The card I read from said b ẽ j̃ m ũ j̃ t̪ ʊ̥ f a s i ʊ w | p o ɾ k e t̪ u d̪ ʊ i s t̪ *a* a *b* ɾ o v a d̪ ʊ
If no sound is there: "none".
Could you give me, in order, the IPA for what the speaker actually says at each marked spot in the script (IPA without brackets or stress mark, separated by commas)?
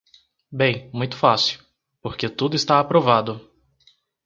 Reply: a, p